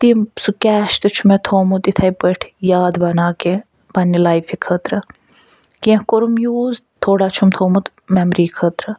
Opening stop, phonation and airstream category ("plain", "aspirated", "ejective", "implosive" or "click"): plain